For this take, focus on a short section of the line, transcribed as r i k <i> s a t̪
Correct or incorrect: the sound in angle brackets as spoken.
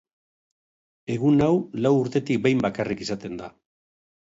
correct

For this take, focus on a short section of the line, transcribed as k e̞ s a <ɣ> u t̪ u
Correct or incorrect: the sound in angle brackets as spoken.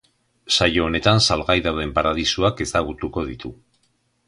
correct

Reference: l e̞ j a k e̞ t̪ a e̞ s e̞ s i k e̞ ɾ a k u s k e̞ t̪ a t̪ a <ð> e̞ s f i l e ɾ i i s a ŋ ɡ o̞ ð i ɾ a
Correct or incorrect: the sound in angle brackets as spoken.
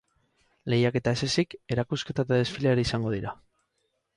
correct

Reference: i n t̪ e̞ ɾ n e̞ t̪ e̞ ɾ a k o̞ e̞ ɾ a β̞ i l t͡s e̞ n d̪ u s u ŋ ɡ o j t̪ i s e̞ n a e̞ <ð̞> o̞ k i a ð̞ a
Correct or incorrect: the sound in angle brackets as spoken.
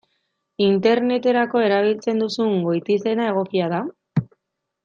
incorrect: ɣ̞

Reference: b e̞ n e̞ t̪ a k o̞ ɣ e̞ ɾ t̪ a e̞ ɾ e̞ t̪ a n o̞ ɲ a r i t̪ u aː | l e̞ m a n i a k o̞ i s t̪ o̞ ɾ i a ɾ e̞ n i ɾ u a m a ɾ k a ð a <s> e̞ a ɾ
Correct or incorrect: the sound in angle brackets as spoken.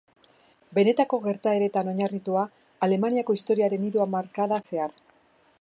correct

